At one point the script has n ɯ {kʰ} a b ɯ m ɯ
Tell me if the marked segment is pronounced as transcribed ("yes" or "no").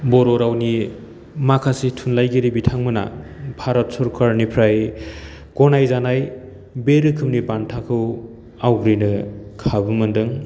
yes